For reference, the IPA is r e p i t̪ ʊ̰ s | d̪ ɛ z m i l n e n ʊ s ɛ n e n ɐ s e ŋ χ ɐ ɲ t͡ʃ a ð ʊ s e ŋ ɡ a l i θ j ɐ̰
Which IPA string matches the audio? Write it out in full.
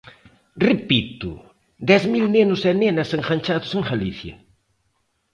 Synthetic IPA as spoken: r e p i t̪ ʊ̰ | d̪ ɛ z m i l n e n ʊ s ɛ n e n ɐ s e ŋ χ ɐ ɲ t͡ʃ a ð ʊ s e ŋ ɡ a l i θ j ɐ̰